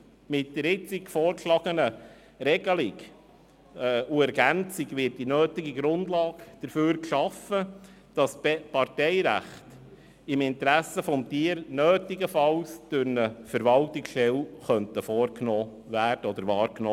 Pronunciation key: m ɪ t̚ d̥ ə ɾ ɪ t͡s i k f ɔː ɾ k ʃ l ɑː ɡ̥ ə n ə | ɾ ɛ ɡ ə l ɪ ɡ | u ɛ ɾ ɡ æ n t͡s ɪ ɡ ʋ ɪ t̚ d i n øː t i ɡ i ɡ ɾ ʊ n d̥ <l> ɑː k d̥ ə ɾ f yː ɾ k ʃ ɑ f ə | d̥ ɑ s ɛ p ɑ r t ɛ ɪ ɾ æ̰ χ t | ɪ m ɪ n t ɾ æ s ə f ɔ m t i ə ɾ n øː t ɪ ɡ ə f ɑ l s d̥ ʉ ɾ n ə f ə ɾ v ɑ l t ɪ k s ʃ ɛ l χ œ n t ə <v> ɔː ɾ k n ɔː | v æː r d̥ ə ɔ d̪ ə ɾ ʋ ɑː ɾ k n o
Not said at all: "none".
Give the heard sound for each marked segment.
l, f

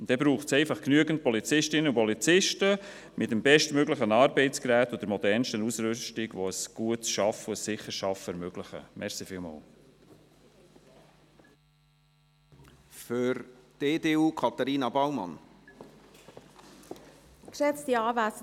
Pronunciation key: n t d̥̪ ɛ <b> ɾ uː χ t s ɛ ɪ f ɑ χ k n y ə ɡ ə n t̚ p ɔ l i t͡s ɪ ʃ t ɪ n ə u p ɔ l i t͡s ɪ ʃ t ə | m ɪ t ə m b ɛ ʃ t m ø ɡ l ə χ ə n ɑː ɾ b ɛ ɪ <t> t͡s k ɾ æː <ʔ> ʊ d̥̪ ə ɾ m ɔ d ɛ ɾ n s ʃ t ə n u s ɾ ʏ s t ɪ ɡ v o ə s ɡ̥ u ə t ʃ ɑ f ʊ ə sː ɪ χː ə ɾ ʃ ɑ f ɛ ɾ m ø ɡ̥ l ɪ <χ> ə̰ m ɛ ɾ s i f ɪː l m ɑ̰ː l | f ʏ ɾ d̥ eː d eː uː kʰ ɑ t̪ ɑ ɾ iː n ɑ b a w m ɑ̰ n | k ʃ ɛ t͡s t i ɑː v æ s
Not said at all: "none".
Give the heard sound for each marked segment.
b, t, t, χ

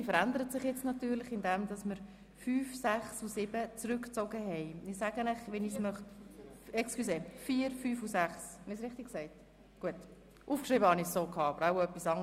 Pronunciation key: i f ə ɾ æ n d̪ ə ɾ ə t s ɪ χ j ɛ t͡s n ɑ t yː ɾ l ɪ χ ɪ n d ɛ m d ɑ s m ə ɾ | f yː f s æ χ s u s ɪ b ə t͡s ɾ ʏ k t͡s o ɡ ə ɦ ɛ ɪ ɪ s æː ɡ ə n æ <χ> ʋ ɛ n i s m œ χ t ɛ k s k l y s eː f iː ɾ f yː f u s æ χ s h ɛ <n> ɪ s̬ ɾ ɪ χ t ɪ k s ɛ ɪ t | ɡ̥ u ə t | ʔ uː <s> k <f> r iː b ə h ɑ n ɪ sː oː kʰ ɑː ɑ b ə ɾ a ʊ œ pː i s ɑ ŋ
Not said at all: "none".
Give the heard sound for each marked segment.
χ, n, f, ʃ

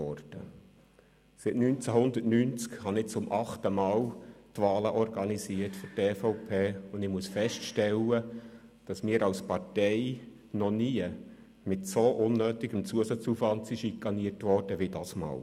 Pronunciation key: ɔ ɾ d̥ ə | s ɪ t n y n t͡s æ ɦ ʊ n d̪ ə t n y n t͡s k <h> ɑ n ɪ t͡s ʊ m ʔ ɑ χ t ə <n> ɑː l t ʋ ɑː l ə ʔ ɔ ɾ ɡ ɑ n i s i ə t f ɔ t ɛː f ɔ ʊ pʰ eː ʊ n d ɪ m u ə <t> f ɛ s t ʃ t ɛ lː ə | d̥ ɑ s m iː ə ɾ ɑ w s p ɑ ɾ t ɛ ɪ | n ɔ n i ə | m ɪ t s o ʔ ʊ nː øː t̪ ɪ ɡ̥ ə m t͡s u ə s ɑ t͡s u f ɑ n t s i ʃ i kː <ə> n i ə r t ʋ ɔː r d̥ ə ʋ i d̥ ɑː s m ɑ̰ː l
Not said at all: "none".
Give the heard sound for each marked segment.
h, m, s, ɑ

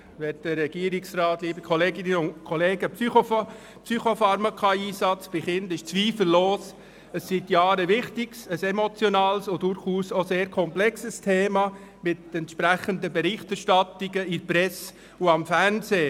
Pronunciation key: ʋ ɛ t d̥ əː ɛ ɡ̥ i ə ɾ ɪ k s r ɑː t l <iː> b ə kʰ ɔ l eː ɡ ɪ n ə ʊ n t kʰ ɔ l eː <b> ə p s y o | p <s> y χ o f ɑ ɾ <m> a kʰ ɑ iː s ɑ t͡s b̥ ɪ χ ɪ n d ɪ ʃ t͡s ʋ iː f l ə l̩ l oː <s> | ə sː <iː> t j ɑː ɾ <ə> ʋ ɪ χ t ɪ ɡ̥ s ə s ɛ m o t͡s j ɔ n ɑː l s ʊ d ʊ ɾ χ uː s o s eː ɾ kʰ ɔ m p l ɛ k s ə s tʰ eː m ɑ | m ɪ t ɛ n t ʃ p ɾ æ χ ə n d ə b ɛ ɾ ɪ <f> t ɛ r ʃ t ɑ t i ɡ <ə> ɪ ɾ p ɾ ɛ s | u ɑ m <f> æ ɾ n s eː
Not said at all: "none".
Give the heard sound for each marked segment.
iː, ɡ, s, m, s, i, ə, χ, ə, f

